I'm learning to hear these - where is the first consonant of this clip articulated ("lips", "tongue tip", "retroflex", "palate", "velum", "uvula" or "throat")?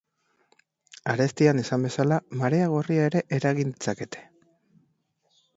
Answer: tongue tip